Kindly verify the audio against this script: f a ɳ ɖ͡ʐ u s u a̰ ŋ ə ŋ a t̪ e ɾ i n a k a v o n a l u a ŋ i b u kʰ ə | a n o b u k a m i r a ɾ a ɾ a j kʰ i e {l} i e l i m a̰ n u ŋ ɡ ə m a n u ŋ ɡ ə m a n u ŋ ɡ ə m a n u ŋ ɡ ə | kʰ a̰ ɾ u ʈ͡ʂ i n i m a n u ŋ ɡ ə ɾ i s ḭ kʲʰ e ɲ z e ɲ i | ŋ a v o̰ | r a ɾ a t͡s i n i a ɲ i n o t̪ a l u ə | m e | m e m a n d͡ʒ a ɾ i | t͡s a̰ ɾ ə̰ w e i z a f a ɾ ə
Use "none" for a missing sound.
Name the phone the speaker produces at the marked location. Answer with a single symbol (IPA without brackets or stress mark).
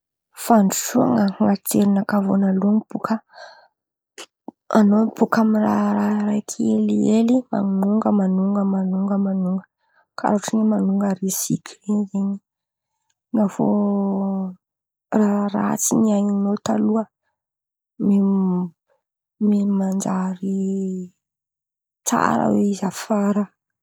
l